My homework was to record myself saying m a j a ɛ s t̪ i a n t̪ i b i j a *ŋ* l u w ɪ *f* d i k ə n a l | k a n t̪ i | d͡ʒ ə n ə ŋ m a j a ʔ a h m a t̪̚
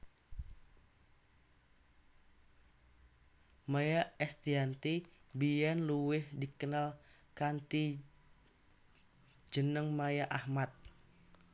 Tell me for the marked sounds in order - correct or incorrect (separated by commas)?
incorrect, incorrect